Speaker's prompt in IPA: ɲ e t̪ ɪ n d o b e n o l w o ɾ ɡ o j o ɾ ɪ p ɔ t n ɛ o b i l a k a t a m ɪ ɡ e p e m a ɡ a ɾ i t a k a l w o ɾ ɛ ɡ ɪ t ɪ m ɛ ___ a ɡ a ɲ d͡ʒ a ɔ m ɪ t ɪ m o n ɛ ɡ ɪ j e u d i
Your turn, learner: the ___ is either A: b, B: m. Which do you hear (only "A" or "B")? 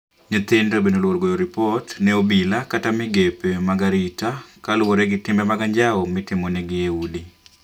B